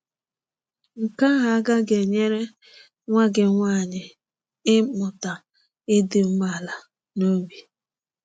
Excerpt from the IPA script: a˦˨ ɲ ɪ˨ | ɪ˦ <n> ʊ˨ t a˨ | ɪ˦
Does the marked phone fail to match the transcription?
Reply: yes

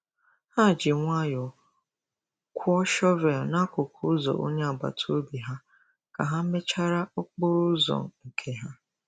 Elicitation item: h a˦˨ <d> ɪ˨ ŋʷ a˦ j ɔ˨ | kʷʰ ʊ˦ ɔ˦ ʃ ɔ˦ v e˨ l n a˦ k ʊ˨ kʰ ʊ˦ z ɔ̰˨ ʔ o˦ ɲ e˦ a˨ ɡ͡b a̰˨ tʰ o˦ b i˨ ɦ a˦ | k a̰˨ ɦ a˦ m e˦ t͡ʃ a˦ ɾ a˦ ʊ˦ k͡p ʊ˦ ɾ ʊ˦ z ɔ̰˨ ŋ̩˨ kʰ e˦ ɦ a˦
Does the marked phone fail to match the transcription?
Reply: yes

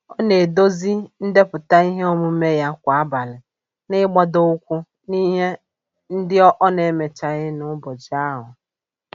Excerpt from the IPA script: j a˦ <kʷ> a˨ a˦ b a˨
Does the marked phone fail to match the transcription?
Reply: no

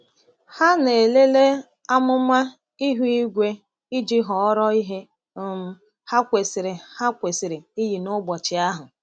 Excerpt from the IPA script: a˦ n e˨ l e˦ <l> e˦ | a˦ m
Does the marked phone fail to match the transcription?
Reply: no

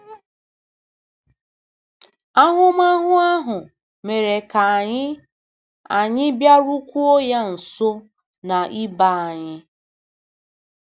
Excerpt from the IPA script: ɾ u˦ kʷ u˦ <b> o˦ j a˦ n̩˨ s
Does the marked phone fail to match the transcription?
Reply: yes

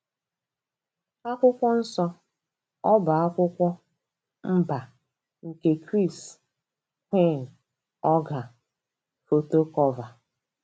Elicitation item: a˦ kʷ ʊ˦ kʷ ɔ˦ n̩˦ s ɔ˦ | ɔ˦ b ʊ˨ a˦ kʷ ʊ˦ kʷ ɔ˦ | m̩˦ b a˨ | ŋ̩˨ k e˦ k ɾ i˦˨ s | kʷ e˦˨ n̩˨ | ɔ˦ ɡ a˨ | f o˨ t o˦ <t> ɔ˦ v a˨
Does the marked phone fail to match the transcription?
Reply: yes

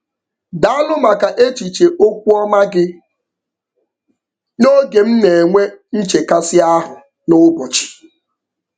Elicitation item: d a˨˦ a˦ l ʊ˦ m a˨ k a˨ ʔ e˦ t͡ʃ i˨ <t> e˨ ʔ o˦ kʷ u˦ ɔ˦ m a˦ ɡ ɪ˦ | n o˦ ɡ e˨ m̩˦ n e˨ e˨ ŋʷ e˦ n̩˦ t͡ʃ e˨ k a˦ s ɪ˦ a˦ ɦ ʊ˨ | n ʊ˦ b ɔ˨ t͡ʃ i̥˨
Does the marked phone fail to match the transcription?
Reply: yes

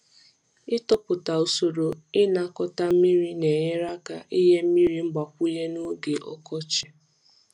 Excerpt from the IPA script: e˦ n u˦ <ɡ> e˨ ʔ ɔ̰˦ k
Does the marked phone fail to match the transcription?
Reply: no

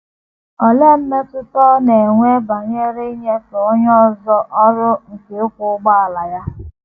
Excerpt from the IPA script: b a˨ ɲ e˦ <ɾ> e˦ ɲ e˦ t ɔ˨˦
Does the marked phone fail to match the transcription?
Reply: no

